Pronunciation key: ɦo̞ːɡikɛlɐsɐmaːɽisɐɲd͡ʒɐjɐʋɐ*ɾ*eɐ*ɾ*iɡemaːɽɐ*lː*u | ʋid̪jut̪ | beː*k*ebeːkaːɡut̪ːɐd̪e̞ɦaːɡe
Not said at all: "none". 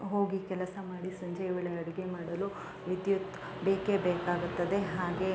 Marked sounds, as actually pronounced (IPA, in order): ɭ, ɽ, l, k

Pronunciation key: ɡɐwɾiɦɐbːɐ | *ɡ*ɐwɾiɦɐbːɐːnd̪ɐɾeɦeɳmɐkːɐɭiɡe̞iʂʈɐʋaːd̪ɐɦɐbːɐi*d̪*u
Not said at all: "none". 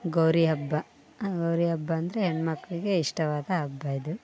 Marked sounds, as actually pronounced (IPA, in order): ɡ, d̪

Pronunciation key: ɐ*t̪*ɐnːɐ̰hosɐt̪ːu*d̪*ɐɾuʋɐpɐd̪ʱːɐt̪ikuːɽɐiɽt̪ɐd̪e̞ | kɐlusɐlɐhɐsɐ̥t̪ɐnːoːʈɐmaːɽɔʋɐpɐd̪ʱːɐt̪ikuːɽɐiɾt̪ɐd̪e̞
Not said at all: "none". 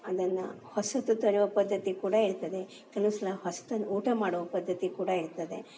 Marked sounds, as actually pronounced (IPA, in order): d̪, t̪

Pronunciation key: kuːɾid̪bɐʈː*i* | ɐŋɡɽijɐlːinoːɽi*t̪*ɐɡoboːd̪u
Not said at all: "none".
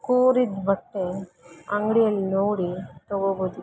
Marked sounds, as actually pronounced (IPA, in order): e, t̪

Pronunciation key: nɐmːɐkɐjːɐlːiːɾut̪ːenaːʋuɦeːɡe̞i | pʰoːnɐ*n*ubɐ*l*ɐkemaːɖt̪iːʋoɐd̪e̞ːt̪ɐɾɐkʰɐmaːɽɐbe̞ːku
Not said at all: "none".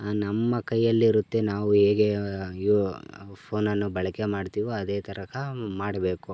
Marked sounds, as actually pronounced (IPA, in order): nː, ɭ

